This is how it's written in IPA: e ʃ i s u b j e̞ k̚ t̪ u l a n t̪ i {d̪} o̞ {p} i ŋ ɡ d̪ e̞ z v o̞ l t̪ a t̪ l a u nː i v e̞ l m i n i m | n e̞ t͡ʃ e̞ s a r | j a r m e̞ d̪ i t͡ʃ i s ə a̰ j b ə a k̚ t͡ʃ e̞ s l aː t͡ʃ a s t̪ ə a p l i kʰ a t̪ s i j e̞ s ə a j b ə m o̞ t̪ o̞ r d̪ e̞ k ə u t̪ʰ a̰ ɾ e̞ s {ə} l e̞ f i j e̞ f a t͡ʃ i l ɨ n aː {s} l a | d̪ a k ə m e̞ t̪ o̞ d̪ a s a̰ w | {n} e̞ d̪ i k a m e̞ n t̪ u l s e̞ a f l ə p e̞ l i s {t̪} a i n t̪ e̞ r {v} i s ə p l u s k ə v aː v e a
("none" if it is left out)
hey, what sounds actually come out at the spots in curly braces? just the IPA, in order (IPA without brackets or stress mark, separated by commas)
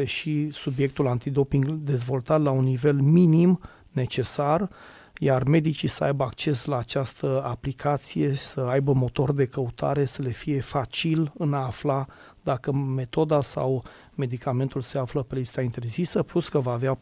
d̪, p, ə, f, m, t̪, z